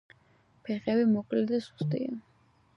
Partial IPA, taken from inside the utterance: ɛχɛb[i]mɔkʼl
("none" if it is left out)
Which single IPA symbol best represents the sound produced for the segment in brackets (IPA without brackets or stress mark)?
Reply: i